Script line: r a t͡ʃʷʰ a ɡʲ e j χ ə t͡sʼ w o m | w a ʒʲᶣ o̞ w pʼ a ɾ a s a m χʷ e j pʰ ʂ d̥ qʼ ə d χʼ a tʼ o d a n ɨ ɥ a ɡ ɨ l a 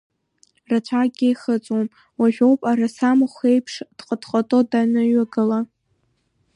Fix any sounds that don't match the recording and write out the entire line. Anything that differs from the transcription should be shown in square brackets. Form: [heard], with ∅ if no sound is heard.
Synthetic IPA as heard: r a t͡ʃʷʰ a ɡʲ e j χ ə t͡sʼ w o m | w a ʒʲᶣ o̞ w pʼ a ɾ a s a m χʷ e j pʰ ʂ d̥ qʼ ə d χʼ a tʼ o d a n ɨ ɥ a ɡ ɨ l a